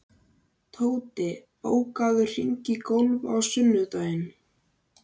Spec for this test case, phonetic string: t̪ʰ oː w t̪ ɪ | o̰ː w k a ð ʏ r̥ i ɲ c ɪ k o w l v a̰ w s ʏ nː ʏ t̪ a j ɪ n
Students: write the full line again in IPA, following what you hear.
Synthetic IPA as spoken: t̪ʰ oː w t̪ ɪ | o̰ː w k a ð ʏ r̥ i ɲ c ɪ k o w l v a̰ w s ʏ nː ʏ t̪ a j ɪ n